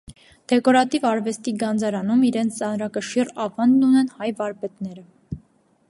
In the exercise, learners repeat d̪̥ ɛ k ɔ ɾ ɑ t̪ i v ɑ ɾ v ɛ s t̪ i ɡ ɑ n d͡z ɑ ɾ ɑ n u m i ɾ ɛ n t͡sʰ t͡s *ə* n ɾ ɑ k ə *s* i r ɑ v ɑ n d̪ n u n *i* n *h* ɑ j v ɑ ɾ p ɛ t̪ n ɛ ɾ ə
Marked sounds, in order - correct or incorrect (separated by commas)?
incorrect, incorrect, incorrect, correct